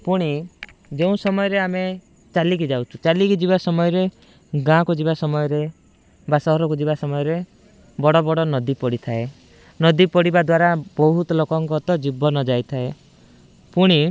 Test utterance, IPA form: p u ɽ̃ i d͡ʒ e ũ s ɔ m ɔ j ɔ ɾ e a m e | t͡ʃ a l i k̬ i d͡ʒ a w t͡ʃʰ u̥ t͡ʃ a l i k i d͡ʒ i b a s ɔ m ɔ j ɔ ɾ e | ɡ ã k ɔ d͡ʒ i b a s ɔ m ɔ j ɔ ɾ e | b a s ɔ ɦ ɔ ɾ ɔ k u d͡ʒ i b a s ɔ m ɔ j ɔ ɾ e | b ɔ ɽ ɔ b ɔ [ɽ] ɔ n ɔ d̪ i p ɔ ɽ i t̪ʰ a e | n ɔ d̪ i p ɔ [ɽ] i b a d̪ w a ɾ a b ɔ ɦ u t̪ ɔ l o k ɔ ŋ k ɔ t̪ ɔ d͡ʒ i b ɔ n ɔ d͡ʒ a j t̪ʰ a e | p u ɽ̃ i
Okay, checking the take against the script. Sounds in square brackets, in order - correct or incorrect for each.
correct, correct

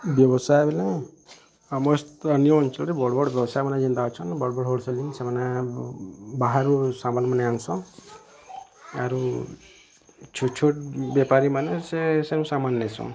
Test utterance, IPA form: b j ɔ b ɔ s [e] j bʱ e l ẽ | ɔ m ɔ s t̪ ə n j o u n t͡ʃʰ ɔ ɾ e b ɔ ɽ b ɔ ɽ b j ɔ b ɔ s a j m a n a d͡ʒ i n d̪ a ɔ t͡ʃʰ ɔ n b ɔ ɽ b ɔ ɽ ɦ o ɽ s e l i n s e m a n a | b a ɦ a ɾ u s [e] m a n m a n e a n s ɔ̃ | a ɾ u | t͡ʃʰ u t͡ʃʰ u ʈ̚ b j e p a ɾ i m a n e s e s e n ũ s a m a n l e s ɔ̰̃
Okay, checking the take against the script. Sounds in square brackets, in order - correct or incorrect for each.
incorrect: a, incorrect: a

